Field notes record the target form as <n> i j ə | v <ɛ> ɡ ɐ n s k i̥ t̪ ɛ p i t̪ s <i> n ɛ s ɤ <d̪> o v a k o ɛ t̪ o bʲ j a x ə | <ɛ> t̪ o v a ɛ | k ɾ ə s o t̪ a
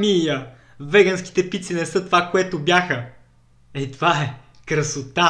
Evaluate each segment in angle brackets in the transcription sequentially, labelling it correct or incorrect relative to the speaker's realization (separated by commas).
incorrect, correct, correct, incorrect, correct